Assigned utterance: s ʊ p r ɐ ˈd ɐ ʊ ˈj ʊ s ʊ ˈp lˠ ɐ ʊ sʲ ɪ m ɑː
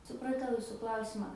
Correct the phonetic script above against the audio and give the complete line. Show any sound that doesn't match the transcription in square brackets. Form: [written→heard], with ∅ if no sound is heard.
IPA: s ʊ p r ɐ [ˈd→ˈt] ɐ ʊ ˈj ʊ s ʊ [ˈp→ˈk] lˠ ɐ ʊ sʲ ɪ m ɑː

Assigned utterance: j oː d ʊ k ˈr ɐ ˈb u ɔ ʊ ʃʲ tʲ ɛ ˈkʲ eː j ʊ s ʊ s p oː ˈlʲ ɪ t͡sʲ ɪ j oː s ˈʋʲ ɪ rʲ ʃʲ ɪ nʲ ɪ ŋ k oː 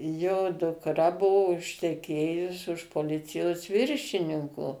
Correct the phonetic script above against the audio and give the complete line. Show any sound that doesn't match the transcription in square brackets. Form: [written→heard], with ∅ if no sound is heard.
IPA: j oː d ʊ k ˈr ɐ ˈb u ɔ ʊ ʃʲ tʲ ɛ ˈkʲ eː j ʊ s ʊ [s→ʃ] p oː ˈlʲ ɪ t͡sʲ ɪ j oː s ˈʋʲ ɪ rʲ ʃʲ ɪ nʲ ɪ ŋ k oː

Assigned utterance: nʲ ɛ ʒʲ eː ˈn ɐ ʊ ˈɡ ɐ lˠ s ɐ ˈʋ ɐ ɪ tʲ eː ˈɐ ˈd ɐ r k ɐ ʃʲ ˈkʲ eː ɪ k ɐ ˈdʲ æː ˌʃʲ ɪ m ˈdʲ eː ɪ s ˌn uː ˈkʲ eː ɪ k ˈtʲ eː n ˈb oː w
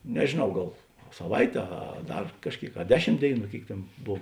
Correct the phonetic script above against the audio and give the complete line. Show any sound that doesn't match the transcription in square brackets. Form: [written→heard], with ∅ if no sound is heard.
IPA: nʲ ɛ ʒʲ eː ˈn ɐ ʊ ˈɡ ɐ lˠ s ɐ ˈʋ ɐ ɪ tʲ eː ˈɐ ˈd ɐ r k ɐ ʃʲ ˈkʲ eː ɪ k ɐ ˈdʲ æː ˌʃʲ ɪ m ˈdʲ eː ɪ [s→∅] ˌn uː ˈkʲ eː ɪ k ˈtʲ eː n ˈb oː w

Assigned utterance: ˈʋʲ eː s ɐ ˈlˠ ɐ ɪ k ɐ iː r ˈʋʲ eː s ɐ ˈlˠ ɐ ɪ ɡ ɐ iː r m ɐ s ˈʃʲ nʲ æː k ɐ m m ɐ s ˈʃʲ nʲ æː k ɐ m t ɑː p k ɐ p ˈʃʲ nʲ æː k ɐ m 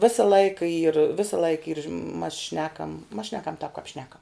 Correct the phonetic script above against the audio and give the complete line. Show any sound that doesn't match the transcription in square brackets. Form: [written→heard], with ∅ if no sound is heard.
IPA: ˈʋʲ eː s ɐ ˈlˠ ɐ ɪ k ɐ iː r ˈʋʲ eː s ɐ ˈlˠ ɐ ɪ [ɡ→k] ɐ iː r m ɐ s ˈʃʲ nʲ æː k ɐ m m ɐ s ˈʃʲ nʲ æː k ɐ m t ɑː p k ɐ p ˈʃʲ nʲ æː k ɐ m

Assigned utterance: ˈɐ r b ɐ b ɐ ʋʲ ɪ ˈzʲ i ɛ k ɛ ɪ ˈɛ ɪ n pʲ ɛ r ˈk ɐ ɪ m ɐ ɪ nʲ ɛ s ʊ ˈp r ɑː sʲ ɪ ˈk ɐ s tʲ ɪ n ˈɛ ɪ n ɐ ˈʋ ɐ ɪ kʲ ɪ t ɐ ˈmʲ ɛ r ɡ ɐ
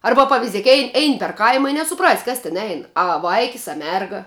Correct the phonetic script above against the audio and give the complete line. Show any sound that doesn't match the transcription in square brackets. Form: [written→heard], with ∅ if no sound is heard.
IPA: ˈɐ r b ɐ [b→p] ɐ ʋʲ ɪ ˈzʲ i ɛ k ɛ ɪ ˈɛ ɪ n pʲ ɛ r ˈk ɐ ɪ m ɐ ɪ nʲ ɛ s ʊ ˈp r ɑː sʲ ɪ ˈk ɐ s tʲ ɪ n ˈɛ ɪ n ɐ ˈʋ ɐ ɪ kʲ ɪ [t→s] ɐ ˈmʲ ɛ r ɡ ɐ

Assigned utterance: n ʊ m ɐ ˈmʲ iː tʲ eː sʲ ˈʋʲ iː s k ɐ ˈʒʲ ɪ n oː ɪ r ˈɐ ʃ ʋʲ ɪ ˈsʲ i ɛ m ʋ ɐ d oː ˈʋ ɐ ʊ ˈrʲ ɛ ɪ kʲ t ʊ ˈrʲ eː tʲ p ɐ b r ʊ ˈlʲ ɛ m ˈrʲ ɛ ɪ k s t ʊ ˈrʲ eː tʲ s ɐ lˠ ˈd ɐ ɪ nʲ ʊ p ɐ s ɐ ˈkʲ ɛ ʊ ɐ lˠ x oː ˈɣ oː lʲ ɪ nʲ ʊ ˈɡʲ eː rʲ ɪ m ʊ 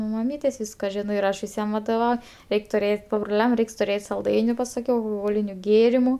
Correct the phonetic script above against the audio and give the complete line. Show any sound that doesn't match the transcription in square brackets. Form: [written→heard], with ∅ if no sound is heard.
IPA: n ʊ m ɐ ˈmʲ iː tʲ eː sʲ ˈʋʲ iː s k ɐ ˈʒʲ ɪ n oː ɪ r ˈɐ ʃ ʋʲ ɪ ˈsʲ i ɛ m ʋ ɐ d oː ˈʋ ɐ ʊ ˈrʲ ɛ ɪ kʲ t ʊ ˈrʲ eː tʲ p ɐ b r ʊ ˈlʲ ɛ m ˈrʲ ɛ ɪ k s t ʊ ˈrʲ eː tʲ s ɐ lˠ ˈd ɐ ɪ nʲ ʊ p ɐ s ɐ ˈkʲ ɛ ʊ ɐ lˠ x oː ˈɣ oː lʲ ɪ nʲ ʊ ˈɡʲ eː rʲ ɪ m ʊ

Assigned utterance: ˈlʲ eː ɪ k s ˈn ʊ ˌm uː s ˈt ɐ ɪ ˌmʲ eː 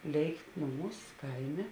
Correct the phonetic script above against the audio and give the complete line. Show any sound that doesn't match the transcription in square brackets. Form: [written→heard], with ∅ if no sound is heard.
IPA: ˈlʲ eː ɪ k [s→t] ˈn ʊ ˌm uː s [ˈt→ˈk] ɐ ɪ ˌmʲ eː

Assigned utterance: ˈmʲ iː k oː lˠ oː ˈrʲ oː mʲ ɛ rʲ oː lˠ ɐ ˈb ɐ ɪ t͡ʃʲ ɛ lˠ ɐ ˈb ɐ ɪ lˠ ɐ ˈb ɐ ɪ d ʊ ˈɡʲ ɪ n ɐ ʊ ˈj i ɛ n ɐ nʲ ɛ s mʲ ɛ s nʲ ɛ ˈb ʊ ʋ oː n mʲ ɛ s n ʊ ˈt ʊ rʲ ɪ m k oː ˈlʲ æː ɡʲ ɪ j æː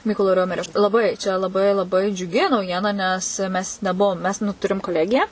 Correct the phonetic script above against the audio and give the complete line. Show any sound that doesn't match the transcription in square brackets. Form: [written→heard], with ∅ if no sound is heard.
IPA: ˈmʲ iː k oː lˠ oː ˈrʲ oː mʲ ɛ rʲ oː lˠ ɐ ˈb ɐ ɪ t͡ʃʲ ɛ lˠ ɐ ˈb ɐ ɪ lˠ ɐ ˈb ɐ ɪ [d→d͡ʒʲ] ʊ ˈɡʲ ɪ n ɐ ʊ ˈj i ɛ n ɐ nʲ ɛ s mʲ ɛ s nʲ ɛ ˈb ʊ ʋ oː [n→m] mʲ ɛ s n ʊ ˈt ʊ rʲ ɪ m k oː ˈlʲ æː ɡʲ ɪ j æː

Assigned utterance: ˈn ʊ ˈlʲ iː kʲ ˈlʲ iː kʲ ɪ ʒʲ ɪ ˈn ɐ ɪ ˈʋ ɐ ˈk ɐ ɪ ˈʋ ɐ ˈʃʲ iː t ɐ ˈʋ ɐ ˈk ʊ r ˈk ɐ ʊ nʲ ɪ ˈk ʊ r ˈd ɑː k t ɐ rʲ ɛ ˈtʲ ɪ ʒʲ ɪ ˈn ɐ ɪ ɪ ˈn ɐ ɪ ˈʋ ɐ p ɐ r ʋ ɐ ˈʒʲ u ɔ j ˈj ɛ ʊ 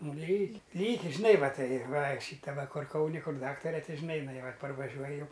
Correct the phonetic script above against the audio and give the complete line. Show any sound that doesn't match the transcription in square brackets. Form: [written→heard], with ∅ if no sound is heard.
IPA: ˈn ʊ ˈlʲ iː kʲ ˈlʲ iː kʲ ɪ ʒʲ ɪ ˈn ɐ ɪ ˈʋ ɐ [ˈk→ˈt] ɐ ɪ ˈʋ ɐ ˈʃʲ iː t ɐ ˈʋ ɐ ˈk ʊ r ˈk ɐ ʊ nʲ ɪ ˈk ʊ r ˈd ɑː k t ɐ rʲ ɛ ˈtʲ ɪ ʒʲ ɪ ˈn ɐ ɪ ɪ ˈn ɐ ɪ ˈʋ ɐ p ɐ r ʋ ɐ ˈʒʲ u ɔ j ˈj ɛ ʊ

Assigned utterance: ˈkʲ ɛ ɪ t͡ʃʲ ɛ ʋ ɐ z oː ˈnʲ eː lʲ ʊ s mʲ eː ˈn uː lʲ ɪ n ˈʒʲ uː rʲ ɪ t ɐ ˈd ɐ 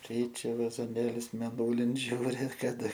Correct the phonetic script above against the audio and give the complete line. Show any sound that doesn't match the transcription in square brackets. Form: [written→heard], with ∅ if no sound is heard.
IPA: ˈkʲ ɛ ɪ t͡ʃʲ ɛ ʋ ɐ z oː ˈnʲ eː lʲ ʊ s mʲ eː ˈn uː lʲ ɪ n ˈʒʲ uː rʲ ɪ [t→k] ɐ ˈd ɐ

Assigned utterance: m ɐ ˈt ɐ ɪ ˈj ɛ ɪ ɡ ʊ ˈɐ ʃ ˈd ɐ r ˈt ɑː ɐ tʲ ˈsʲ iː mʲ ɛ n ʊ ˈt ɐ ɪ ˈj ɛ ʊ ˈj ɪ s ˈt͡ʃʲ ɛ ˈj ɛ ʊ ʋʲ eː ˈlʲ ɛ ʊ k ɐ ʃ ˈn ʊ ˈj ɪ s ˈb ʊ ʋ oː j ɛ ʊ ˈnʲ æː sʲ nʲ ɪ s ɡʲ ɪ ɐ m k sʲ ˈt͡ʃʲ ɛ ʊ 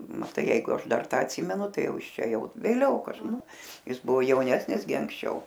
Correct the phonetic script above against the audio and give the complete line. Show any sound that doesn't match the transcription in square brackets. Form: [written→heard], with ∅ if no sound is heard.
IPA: m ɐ ˈt ɐ ɪ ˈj ɛ ɪ ɡ ʊ ˈɐ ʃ ˈd ɐ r ˈt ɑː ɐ tʲ ˈsʲ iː mʲ ɛ n ʊ ˈt ɐ ɪ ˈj ɛ ʊ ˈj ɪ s ˈt͡ʃʲ ɛ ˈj ɛ ʊ ʋʲ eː ˈlʲ ɛ ʊ k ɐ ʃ ˈn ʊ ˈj ɪ s ˈb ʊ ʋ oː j ɛ ʊ ˈnʲ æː sʲ nʲ ɪ s ɡʲ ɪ ɐ [m→ŋ] k sʲ ˈt͡ʃʲ ɛ ʊ

